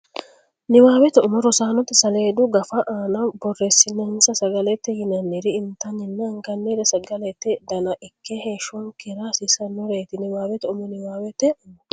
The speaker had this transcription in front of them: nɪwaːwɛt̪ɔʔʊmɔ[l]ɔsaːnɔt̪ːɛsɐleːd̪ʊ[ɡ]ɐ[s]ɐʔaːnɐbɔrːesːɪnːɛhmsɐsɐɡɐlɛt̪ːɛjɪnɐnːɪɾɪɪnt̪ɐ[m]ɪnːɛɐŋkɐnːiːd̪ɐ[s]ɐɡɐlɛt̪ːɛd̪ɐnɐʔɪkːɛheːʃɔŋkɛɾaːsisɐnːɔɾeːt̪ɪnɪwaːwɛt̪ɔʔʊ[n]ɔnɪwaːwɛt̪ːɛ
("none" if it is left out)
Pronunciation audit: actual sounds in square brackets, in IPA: ɾ, ɡ, f, n, s, m

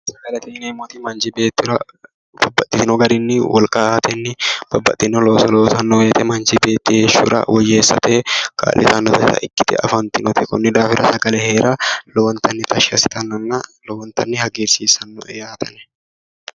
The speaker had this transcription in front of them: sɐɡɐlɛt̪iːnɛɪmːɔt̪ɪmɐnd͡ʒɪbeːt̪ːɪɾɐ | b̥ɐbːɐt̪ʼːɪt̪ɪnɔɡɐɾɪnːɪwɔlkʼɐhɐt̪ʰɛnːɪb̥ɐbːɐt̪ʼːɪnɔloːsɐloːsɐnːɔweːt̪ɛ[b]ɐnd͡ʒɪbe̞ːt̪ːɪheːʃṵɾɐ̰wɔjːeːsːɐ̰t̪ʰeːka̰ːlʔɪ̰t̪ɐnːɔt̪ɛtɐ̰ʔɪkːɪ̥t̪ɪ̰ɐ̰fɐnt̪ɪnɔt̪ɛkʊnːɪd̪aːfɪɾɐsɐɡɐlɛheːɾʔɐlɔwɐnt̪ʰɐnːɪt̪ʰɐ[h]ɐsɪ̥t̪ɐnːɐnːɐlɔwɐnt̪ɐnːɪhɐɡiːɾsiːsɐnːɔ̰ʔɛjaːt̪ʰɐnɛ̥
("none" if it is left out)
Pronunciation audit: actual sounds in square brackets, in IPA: m, ʃ

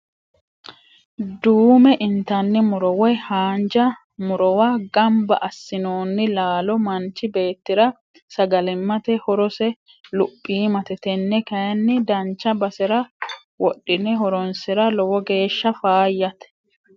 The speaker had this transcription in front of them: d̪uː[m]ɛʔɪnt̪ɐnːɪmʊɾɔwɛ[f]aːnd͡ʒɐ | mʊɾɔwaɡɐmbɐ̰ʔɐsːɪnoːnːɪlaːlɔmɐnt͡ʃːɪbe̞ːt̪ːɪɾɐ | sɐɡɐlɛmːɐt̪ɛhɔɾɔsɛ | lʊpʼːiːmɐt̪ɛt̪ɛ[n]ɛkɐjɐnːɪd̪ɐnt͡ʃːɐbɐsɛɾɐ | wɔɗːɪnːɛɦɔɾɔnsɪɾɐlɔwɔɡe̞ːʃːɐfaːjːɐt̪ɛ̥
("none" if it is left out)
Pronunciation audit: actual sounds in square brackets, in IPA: m, h, nː

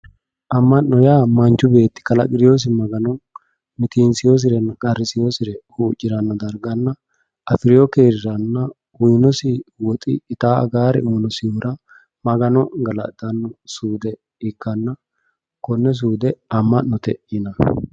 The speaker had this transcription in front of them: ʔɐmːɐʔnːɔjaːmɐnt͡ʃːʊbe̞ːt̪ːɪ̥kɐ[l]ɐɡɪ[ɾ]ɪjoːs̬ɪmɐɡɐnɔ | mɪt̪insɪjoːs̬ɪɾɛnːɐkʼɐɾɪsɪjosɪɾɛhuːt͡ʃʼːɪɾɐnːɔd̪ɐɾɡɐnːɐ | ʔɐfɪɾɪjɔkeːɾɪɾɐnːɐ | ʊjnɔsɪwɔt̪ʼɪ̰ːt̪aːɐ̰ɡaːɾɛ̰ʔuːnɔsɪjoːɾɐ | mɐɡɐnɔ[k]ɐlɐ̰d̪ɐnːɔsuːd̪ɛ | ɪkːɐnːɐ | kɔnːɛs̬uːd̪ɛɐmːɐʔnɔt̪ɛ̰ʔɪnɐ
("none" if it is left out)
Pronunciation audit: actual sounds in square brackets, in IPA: l, ɾ, ɡ

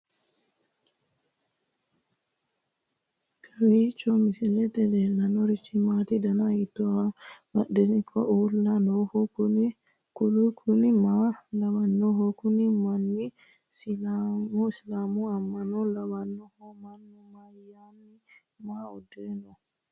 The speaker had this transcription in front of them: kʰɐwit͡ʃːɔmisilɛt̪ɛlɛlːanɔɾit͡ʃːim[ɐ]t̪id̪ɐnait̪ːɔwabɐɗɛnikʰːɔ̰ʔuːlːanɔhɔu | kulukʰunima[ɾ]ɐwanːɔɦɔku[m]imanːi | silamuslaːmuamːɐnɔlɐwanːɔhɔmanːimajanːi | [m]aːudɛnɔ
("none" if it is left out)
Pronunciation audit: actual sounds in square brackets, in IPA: a, l, n, m

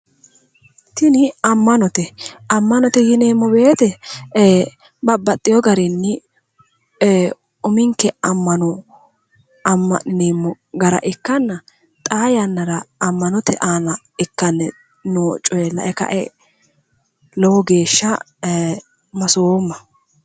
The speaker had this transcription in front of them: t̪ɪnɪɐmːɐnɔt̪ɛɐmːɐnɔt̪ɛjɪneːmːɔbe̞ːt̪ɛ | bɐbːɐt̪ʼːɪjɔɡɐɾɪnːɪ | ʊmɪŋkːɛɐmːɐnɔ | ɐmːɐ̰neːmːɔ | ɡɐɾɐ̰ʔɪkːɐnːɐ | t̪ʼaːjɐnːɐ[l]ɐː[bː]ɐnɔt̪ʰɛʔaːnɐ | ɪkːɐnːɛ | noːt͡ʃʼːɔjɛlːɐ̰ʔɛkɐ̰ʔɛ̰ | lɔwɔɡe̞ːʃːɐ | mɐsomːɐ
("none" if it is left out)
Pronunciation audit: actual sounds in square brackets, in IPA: ɾ, mː

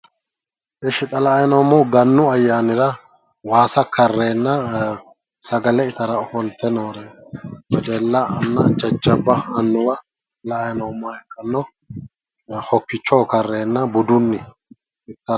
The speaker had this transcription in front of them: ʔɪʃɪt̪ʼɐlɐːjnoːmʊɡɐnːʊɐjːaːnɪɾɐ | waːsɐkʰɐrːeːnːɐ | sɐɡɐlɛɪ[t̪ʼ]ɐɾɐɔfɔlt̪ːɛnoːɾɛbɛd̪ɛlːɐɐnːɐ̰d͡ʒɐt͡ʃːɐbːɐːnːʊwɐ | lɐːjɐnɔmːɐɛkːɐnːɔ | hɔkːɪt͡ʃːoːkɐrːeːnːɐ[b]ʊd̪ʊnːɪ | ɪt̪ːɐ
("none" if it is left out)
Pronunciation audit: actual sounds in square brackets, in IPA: t̪, b

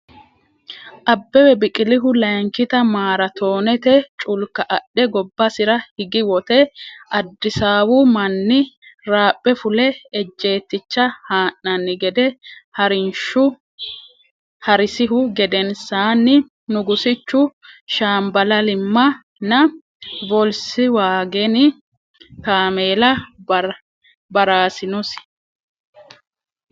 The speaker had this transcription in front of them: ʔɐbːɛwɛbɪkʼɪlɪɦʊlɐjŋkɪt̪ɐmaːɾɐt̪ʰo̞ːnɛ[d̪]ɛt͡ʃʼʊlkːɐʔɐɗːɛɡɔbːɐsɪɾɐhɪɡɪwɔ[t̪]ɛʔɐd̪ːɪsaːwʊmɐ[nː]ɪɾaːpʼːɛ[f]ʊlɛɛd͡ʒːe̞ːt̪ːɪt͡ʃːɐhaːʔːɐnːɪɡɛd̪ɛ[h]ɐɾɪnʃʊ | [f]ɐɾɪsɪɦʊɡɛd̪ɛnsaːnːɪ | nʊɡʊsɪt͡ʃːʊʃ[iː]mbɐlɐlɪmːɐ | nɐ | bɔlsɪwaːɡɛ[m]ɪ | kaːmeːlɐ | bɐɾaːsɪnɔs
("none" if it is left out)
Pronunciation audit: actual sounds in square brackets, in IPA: t̪, t̪, nː, f, h, h, aː, n

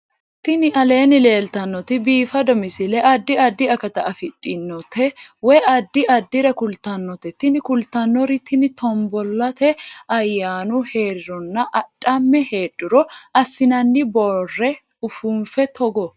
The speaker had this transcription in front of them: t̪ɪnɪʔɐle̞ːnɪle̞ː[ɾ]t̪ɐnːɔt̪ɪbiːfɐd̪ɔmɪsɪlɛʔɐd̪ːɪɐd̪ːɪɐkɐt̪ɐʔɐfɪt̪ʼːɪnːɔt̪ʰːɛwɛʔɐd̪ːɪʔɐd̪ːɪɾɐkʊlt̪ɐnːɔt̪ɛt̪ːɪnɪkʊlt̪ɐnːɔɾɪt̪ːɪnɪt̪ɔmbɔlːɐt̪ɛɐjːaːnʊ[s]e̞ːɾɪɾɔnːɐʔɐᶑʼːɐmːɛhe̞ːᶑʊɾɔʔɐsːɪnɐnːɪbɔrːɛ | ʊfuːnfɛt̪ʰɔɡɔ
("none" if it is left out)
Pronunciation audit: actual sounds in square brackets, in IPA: l, h

